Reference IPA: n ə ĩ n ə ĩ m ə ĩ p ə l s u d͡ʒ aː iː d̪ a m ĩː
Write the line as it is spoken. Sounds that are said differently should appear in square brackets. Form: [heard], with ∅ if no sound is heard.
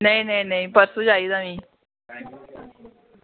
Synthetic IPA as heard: n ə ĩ n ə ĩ [n] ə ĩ p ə [ɾ] s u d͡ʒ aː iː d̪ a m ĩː